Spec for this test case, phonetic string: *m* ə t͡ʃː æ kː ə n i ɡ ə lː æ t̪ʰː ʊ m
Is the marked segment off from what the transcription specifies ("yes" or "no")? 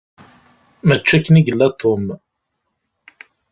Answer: no